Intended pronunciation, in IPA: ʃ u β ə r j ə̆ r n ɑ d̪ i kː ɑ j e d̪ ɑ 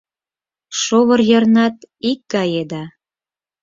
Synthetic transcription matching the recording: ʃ o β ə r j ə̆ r n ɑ t̪ i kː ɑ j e d̪ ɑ